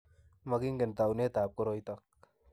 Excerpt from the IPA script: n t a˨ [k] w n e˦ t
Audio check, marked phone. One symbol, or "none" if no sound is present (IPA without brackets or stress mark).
none